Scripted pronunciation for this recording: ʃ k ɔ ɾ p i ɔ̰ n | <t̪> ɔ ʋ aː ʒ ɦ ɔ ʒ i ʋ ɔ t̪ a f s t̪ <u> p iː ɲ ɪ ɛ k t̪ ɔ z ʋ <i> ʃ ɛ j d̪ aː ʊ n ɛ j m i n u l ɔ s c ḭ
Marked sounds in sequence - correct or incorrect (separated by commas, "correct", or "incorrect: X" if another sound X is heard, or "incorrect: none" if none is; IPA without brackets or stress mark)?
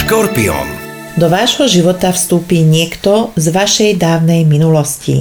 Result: incorrect: d̪, incorrect: uː, incorrect: a